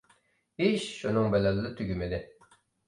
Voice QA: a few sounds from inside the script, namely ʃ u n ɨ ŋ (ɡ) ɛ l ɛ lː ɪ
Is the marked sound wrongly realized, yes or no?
yes